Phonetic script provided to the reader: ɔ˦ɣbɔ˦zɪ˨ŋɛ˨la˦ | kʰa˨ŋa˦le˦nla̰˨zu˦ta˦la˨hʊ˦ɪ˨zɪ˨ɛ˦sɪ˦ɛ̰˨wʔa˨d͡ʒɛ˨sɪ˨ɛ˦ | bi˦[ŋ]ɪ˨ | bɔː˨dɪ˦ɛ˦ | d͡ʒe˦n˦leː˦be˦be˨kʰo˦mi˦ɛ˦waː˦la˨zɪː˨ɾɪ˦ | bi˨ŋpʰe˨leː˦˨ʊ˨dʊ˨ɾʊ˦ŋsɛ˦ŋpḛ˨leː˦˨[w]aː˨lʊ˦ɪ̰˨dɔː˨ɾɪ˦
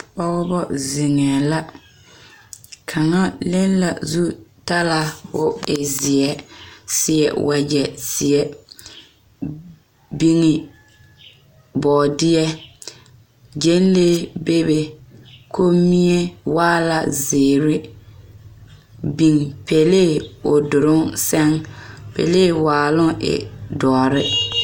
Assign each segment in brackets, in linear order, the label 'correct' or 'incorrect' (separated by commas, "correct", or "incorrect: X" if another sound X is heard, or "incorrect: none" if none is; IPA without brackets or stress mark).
correct, correct